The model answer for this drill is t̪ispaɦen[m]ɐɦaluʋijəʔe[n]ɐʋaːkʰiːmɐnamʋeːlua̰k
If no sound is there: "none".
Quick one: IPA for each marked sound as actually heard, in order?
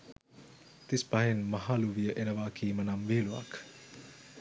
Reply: m, n

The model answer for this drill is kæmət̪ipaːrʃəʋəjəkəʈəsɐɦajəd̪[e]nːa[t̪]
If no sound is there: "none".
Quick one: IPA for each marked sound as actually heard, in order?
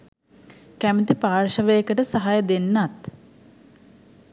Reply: e, t̪

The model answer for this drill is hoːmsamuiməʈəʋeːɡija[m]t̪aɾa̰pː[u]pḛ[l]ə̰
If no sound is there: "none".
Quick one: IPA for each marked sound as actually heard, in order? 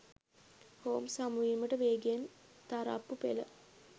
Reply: n, u, l

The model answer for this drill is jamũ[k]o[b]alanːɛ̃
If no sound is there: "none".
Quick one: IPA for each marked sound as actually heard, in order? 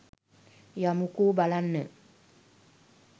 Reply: k, b

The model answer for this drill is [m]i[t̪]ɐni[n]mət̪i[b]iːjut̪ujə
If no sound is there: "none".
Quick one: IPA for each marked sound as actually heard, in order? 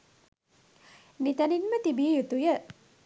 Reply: n, t̪, n, b

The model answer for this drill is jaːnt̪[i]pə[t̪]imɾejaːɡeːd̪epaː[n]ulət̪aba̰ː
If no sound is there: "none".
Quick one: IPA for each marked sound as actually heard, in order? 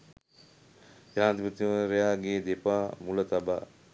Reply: i, t̪, m

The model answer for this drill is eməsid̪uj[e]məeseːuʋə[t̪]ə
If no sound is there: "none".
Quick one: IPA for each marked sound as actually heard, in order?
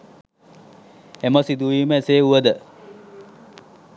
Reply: i, d̪

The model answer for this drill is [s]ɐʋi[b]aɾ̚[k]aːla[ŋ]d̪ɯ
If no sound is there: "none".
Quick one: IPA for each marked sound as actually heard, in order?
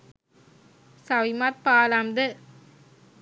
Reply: s, m, p, m

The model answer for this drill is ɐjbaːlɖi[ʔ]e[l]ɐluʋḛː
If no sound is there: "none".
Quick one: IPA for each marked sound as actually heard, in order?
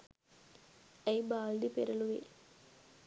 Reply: p, ɾ

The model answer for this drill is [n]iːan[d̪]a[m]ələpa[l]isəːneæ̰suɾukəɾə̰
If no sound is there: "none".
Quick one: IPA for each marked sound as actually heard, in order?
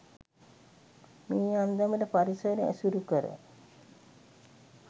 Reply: m, d̪, m, ɾ

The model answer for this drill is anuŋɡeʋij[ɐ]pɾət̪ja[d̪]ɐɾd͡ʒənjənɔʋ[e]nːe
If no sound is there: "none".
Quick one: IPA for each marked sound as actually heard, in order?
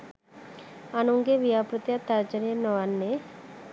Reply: a, t̪, a

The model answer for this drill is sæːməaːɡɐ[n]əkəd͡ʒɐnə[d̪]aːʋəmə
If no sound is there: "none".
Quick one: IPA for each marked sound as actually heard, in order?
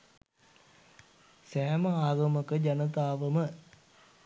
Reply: m, t̪

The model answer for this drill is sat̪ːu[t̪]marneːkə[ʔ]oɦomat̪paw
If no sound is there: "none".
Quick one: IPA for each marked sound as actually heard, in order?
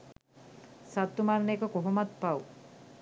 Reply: none, k

